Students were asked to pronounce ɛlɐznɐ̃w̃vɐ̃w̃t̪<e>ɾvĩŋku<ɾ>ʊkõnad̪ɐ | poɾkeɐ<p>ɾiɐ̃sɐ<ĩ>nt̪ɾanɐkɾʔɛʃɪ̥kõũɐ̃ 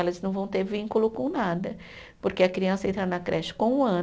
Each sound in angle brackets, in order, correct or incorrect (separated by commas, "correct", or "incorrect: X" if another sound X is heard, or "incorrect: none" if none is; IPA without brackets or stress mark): correct, incorrect: l, incorrect: k, incorrect: ẽ